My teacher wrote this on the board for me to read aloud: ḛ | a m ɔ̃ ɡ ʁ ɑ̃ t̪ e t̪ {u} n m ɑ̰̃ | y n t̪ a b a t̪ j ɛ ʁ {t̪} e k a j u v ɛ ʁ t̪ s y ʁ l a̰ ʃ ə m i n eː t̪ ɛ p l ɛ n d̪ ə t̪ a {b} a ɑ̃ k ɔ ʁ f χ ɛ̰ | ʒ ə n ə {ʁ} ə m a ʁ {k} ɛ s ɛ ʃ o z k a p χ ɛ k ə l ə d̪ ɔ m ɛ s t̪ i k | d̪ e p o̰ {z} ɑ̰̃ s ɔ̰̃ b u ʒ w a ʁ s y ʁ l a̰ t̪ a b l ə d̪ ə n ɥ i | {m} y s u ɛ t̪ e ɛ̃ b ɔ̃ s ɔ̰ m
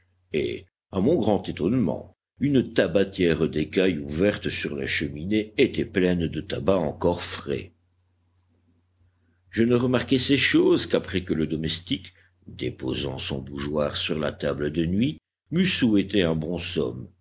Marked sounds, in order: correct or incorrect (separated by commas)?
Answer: incorrect, incorrect, correct, correct, correct, correct, correct